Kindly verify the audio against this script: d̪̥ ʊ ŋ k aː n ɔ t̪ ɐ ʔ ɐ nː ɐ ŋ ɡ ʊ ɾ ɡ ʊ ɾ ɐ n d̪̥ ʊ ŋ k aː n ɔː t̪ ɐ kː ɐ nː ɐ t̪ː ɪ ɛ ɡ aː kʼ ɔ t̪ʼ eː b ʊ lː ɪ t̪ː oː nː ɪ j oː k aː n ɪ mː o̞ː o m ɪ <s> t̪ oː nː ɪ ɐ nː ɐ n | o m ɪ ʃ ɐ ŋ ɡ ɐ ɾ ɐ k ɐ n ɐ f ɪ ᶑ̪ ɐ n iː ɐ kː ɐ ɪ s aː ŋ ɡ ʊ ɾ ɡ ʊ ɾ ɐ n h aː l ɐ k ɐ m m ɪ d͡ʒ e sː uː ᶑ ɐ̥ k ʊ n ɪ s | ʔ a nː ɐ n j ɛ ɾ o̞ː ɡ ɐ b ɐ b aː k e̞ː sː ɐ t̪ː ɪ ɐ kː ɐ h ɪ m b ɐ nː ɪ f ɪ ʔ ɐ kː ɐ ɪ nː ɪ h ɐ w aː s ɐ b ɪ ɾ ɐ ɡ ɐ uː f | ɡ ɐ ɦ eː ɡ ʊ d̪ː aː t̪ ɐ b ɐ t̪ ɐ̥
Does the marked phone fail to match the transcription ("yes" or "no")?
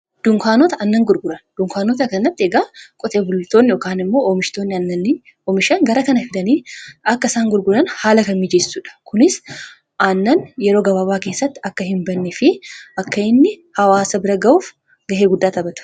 yes